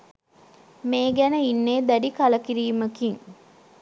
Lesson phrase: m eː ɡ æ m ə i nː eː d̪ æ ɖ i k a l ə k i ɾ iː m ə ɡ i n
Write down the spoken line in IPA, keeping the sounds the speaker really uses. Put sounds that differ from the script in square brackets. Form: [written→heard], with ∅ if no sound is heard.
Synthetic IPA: m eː ɡ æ [m→n] ə i nː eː d̪ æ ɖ i k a l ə k i ɾ iː m ə [ɡ→k] i [n→ŋ]

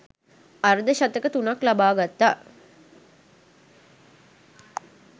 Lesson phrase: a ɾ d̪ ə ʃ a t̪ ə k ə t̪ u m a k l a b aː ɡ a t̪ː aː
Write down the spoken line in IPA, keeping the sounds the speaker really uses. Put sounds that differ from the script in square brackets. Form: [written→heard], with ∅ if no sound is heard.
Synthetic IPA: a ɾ d̪ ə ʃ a t̪ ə k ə t̪ u [m→n] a k l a b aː ɡ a t̪ː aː

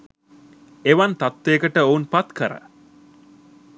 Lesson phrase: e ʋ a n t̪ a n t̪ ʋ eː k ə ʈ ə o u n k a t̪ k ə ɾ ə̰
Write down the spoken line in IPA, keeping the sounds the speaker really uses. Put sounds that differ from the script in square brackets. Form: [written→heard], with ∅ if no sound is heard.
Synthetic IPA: e ʋ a n t̪ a [n→∅] t̪ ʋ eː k ə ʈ ə o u n [k→p] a t̪ k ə ɾ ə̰

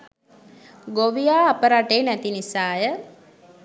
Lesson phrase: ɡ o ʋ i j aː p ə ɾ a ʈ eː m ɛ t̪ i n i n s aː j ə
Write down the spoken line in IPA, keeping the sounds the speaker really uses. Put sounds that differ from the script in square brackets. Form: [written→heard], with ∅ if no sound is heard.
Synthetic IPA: ɡ o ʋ i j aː p ə ɾ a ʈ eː [m→n] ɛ t̪ i n i [n→∅] s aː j ə

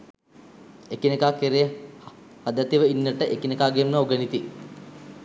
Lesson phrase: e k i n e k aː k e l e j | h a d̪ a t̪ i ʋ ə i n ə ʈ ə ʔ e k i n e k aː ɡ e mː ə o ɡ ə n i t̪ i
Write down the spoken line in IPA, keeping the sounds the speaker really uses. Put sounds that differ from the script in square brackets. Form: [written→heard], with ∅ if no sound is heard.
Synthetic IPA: e k i n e k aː k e [l→ɾ] e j | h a d̪ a t̪ i ʋ ə i [n→nː] ə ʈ ə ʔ e k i n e k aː ɡ e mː ə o ɡ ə n i t̪ i

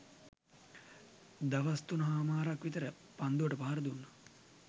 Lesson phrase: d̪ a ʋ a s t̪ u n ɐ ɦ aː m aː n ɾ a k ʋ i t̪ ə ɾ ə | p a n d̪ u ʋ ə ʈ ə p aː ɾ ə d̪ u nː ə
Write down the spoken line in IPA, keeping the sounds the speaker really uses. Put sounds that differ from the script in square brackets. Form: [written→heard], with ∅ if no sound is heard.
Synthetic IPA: d̪ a ʋ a s t̪ u n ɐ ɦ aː m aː [n→∅] ɾ a k ʋ i t̪ ə ɾ ə | p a n d̪ u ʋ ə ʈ ə p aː ɾ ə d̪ u nː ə

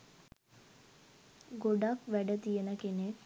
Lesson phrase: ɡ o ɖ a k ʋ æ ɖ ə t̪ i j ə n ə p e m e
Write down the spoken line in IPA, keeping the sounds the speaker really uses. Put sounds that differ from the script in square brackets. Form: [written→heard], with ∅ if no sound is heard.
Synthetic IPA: ɡ o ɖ a k ʋ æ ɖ ə t̪ i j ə n ə [p→k] e [m→n] e

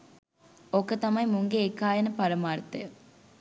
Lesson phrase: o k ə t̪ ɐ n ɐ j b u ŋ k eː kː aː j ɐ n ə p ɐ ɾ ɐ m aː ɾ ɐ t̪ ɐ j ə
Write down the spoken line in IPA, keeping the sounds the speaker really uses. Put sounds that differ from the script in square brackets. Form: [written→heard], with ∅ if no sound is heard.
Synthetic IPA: o k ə t̪ ɐ [n→m] ɐ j [b→m] u ŋ [k→ɡ] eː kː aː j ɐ n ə p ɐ ɾ ɐ m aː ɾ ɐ t̪ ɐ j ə

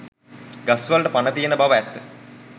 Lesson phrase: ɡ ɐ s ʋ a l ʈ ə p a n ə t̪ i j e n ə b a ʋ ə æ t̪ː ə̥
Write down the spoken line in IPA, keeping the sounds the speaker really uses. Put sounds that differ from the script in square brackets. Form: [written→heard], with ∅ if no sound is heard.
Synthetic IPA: ɡ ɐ s ʋ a l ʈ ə p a n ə t̪ i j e n ə b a ʋ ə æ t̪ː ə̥

